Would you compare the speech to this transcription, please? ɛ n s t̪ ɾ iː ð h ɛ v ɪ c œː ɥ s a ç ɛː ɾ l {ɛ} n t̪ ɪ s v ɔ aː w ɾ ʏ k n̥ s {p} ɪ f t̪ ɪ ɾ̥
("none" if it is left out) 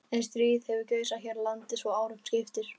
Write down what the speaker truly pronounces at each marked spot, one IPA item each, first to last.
a, c

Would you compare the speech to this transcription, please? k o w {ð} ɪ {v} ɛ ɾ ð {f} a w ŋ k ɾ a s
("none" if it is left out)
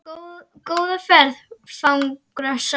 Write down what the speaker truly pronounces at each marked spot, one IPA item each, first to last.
ð, f, f

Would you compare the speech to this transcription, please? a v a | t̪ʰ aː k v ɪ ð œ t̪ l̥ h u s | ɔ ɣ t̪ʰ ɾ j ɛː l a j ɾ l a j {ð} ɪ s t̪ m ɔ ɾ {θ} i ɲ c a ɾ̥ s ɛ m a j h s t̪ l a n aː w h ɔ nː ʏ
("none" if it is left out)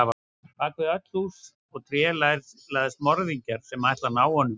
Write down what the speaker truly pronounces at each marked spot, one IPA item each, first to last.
ð, ð

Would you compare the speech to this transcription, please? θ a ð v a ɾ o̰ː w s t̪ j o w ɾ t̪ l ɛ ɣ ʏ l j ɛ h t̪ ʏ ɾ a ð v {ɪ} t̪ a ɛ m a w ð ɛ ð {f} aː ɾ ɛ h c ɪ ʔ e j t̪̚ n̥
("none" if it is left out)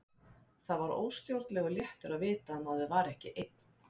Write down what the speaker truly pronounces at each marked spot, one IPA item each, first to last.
ɪː, v

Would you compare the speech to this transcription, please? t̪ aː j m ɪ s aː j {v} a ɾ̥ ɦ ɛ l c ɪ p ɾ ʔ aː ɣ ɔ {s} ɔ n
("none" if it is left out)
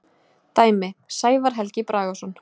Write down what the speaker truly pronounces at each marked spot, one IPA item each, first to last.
v, s

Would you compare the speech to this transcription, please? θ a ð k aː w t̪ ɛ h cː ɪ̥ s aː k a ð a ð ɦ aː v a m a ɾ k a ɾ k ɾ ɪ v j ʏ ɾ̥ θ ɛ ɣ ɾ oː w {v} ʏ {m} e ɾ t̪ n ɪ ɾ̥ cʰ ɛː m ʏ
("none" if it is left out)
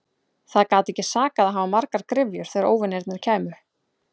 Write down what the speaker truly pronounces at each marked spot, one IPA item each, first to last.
v, n

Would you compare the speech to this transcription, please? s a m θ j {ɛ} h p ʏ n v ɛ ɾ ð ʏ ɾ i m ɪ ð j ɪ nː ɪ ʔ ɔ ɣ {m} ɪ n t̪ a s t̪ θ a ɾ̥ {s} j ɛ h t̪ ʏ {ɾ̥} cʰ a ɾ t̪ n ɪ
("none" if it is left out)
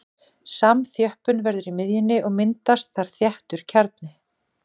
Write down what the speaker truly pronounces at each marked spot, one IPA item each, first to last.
œ, m, θ, ɾ̥

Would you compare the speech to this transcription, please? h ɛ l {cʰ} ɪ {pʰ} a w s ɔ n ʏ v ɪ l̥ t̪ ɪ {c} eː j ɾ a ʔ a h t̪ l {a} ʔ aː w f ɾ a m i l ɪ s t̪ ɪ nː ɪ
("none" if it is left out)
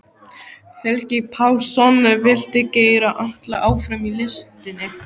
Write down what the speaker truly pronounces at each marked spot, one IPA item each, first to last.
c, pʰ, c, a

